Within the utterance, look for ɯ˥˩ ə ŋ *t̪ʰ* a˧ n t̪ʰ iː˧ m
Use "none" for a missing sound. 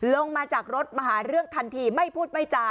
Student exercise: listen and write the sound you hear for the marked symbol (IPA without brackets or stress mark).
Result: t̪ʰ